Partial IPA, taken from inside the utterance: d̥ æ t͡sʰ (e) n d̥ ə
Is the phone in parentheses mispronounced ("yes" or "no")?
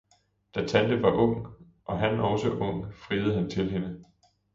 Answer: yes